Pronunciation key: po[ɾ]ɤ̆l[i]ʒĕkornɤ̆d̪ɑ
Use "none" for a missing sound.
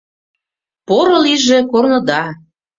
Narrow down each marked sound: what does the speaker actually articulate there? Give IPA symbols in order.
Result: ɾ, i

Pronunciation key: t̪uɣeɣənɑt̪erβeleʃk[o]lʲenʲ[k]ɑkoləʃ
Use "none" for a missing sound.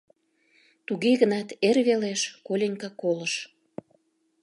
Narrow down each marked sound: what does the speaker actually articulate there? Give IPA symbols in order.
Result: o, k

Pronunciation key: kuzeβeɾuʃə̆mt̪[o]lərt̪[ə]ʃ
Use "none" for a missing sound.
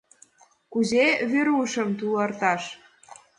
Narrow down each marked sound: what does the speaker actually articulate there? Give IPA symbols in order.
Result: u, ɑ

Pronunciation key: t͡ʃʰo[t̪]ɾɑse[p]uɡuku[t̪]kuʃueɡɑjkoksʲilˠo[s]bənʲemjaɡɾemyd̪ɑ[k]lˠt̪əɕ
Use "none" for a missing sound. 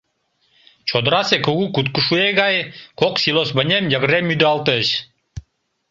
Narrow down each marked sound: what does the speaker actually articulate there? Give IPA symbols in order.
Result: d̪, k, t̪, s, none

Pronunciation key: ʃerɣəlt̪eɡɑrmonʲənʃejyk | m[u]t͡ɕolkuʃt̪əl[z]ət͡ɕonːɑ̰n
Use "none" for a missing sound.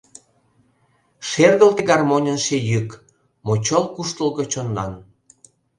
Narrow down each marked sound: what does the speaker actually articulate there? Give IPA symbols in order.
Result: o, ɣ

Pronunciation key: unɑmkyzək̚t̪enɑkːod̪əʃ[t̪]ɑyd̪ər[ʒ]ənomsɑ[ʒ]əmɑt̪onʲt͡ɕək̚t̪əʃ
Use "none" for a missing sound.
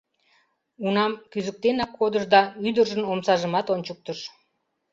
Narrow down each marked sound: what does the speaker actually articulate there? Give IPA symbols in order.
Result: d̪, ʒ, ʒ

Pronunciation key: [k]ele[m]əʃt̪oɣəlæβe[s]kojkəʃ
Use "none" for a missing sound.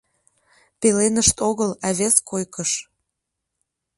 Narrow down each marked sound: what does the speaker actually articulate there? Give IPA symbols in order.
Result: p, n, s

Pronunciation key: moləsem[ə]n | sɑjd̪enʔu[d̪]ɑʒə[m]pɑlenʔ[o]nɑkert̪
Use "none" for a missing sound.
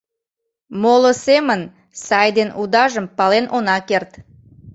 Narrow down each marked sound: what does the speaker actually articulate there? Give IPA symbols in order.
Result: ə, d̪, m, o

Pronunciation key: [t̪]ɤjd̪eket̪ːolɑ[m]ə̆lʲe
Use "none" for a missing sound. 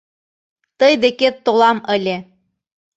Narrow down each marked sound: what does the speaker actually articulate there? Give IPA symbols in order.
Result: t̪, m

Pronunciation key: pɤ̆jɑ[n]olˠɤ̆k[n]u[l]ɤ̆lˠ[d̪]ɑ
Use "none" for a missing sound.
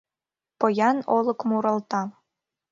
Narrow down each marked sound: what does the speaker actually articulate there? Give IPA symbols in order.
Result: n, m, ɾ, t̪

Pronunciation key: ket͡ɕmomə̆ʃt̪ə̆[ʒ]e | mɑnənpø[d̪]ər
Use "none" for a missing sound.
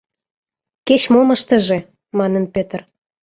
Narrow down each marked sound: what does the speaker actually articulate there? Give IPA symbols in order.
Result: ʒ, t̪

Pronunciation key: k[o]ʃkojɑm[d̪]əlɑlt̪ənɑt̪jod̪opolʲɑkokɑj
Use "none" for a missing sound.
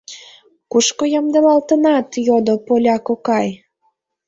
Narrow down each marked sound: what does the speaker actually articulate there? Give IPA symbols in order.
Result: u, d̪

